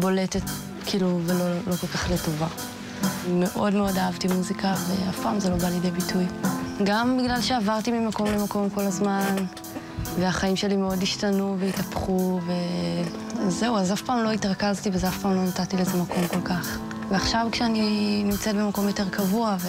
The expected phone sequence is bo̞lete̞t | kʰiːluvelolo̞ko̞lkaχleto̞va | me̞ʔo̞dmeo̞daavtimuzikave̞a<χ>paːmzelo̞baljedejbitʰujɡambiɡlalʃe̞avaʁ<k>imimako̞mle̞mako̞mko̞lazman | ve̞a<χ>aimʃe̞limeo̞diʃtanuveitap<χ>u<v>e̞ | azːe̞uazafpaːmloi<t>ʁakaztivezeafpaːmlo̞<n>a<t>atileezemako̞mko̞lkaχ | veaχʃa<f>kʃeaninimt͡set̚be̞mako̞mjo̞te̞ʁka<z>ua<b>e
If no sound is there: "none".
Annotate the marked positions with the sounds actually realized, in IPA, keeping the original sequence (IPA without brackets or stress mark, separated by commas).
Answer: f, t, χ, χ, v, t, n, t, v, v, v